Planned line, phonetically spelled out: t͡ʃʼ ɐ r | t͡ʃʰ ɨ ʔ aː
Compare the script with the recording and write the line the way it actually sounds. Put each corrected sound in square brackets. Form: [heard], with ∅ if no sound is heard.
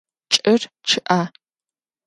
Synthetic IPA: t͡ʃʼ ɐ r | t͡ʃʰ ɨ ʔ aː